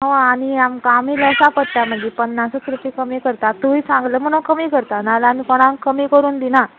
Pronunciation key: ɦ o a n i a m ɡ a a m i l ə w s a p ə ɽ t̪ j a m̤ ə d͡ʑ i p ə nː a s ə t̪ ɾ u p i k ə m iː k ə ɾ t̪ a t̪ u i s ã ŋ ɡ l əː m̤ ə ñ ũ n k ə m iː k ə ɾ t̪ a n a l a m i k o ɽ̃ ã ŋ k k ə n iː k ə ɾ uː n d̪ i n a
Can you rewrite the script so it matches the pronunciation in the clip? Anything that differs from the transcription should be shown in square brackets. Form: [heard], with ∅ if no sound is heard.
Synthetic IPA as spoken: ɦ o a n i a m [k] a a m i l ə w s a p ə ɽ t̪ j a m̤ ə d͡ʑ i p ə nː a s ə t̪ ɾ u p i k ə m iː k ə ɾ t̪ a t̪ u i s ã ŋ ɡ l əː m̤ ə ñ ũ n k ə m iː k ə ɾ t̪ a n a l a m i k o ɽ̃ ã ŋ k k ə [m] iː k ə ɾ uː n d̪ i n a